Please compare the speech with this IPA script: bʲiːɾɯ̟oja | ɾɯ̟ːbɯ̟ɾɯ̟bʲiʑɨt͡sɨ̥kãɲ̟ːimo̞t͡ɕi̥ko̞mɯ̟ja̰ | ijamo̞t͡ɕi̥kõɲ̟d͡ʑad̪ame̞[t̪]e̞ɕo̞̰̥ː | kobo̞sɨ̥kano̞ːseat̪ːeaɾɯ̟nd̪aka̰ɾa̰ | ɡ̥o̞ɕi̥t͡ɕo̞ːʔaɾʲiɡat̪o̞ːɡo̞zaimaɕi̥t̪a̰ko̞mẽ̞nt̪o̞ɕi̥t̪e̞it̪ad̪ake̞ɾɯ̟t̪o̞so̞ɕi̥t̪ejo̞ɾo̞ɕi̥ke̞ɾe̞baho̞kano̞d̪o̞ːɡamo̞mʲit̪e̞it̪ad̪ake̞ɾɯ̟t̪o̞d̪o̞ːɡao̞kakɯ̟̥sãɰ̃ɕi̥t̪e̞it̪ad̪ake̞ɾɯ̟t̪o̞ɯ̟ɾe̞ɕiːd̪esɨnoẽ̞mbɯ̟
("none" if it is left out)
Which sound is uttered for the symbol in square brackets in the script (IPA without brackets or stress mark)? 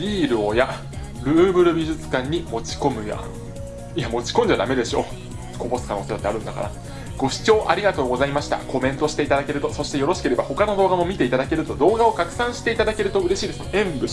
d̪